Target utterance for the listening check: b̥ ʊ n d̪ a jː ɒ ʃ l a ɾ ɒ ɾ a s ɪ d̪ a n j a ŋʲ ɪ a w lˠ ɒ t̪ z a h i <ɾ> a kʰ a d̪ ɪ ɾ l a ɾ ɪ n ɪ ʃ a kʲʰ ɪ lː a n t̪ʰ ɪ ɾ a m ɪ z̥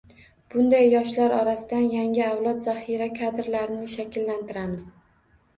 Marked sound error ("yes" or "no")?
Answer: no